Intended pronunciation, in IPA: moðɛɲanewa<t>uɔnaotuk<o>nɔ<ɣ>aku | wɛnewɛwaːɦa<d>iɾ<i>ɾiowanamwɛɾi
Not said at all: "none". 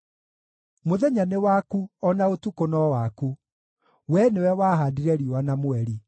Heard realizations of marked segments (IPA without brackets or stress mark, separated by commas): k, o, w, d, ɛ